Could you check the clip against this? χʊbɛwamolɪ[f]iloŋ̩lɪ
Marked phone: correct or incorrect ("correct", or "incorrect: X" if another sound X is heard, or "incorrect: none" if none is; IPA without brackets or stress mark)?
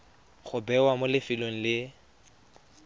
correct